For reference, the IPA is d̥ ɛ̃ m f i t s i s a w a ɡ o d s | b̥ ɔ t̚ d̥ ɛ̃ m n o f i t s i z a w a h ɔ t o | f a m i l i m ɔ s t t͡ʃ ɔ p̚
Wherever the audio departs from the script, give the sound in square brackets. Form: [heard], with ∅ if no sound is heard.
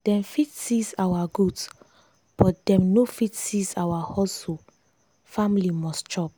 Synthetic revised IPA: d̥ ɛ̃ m f i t s i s a w a ɡ [u] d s | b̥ ɔ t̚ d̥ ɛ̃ m n o f i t s i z a w a h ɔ [s] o | f a m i l i m ɔ s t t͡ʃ ɔ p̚